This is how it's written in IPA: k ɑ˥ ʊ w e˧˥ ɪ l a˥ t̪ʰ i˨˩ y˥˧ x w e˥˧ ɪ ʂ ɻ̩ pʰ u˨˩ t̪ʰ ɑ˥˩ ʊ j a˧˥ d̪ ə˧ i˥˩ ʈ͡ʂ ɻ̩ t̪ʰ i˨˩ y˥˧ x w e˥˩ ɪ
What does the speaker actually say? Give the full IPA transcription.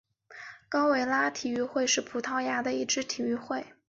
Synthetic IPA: k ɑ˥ ʊ w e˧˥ ɪ l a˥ t̪ʰ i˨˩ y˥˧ x w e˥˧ ɪ ʂ ɻ̩ pʰ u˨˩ t̪ʰ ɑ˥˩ ʊ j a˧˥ d̪ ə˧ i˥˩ ʈ͡ʂ ɻ̩ t̪ʰ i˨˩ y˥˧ x w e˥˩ ɪ